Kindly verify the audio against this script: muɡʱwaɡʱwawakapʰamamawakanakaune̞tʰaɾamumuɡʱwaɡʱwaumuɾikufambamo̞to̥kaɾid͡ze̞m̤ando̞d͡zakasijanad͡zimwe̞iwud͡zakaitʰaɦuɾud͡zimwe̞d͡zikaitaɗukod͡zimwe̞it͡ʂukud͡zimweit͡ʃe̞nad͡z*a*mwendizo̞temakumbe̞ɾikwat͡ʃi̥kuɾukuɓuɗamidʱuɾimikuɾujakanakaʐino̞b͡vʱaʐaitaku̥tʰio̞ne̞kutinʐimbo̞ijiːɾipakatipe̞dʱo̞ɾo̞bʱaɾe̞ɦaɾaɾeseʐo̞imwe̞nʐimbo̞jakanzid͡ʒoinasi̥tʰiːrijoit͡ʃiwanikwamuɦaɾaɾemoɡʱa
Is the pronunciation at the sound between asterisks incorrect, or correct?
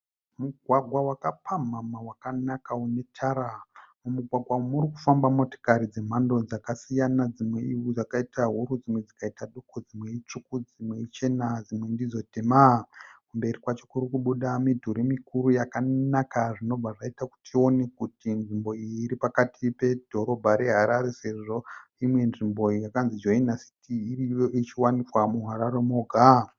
incorrect